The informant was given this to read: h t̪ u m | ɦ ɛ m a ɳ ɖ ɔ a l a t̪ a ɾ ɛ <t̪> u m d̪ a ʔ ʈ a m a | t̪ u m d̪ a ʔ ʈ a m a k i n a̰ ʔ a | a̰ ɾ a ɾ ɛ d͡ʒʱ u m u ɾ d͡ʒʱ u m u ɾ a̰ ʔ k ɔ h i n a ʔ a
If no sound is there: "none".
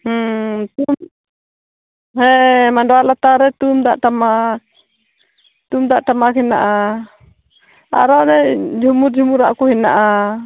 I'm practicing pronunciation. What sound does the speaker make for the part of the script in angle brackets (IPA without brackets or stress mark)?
t̪